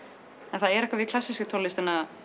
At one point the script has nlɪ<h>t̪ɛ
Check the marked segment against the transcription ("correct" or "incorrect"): incorrect